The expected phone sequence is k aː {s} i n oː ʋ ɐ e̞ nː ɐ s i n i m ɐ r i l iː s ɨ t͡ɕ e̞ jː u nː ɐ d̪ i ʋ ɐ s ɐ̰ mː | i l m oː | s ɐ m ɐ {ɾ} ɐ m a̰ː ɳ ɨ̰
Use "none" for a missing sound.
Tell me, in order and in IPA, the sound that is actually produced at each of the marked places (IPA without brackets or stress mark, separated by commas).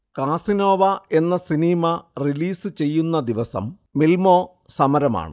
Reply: s, ɾ